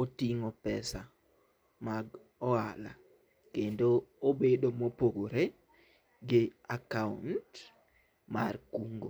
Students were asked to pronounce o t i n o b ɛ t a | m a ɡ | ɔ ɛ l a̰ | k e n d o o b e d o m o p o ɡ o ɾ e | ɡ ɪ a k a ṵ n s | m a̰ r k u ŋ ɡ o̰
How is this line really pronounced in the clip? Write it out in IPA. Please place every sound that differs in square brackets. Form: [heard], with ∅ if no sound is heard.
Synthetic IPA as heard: o t i [ŋ] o [p] ɛ [s] a | m a ɡ | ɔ [a] l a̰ | k e n d o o b e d o m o p o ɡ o ɾ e | ɡ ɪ a k a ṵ n [t] | m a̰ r k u ŋ ɡ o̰